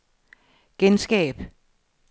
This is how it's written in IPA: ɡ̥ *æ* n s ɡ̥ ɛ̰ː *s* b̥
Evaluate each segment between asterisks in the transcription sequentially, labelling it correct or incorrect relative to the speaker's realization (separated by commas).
incorrect, incorrect